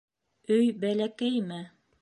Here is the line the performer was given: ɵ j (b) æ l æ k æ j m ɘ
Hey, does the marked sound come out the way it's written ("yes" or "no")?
yes